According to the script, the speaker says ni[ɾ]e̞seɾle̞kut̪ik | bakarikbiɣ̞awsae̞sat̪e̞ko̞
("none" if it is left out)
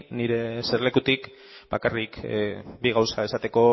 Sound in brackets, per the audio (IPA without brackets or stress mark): ɾ